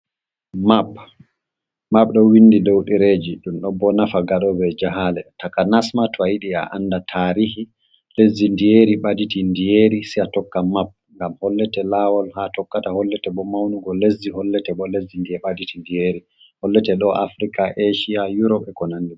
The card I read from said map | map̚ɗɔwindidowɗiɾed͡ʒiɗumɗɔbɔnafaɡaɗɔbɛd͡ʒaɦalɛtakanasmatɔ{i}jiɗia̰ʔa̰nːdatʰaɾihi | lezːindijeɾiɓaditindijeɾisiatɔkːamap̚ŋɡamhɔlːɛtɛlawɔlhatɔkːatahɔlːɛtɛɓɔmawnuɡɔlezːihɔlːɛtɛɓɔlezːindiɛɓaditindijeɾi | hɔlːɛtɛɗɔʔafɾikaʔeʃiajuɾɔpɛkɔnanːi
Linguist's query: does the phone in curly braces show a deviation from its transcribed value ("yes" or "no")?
yes